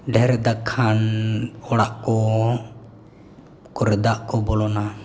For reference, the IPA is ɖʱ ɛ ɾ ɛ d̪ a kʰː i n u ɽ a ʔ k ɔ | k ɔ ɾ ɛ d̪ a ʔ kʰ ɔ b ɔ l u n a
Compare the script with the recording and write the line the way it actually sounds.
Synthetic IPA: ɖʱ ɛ ɾ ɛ d̪ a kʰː a n ɔ ɽ a ʔ k ɔ | k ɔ ɾ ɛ d̪ a ʔ k ɔ b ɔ l ɔ n a